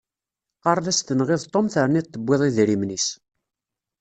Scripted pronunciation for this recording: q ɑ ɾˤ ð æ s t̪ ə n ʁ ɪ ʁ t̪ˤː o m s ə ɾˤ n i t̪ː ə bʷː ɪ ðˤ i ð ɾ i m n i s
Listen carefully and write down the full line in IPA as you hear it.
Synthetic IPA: q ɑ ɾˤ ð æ s t̪ ə n ʁ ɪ ð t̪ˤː o m θ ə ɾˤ n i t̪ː ə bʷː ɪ ðˤ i ð ɾ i m n i s